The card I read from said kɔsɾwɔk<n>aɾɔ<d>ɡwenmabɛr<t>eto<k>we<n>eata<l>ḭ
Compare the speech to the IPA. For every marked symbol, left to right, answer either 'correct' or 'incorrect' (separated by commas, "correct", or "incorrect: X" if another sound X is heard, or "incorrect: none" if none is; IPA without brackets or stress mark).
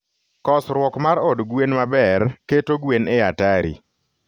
incorrect: m, correct, incorrect: k, incorrect: ɡ, correct, incorrect: ɾ